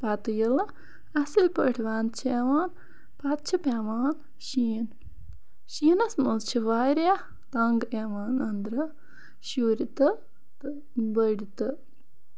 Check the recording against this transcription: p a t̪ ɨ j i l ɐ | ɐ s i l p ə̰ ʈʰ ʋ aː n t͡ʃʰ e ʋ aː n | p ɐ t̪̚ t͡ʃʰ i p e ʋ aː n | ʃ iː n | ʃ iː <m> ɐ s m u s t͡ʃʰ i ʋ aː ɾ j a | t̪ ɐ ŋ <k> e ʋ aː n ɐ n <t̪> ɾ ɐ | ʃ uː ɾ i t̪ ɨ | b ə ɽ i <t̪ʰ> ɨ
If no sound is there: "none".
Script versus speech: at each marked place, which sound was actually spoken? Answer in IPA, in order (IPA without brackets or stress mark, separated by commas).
n, ɡ, d̪, t̪